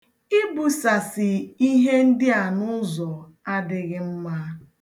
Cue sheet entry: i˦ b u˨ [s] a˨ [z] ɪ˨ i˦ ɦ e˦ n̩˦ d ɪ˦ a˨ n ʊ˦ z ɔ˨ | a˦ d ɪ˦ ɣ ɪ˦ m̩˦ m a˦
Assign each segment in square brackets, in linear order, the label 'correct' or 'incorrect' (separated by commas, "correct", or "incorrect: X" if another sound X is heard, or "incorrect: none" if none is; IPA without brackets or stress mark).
correct, incorrect: s